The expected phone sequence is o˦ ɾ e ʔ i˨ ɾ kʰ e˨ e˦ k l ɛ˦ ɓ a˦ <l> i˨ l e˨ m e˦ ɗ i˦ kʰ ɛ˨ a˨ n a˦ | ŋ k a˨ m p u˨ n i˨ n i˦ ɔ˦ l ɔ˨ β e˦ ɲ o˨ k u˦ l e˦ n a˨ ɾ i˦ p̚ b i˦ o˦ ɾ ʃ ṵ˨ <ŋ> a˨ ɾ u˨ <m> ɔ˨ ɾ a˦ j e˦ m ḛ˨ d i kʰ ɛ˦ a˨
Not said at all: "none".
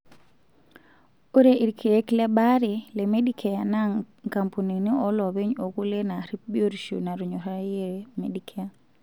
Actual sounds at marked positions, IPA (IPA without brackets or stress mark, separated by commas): ɾ, n, ɲ